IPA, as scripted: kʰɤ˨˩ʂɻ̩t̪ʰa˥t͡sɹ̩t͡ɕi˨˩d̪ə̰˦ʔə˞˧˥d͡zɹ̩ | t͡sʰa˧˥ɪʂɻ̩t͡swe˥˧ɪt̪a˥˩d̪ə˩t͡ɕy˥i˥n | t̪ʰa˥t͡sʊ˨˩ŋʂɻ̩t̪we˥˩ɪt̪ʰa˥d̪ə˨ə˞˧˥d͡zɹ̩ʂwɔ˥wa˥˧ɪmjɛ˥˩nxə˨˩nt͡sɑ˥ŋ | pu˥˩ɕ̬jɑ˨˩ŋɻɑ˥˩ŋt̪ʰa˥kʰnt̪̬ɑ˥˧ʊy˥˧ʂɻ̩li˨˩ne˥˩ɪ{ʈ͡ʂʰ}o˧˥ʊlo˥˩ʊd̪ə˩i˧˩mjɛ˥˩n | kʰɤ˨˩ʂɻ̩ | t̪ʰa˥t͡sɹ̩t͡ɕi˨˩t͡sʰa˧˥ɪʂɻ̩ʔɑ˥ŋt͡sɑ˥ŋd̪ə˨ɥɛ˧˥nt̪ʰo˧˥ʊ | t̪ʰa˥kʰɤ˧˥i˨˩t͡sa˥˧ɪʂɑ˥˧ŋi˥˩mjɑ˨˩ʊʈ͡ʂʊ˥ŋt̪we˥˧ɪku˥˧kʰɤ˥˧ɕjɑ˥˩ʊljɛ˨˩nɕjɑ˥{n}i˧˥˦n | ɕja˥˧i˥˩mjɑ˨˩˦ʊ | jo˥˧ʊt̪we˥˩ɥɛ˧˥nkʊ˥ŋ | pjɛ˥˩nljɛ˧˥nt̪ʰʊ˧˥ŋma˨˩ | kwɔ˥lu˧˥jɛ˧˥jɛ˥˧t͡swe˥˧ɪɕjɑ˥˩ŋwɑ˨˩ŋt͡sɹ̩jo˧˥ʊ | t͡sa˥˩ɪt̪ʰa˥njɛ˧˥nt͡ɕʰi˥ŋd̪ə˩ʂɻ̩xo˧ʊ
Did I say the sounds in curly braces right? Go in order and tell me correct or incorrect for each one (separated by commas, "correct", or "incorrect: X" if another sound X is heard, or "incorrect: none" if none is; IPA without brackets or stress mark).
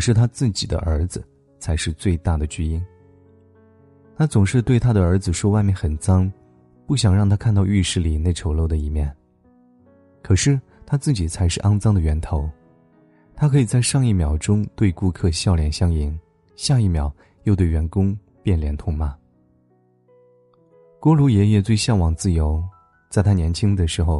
correct, incorrect: ŋ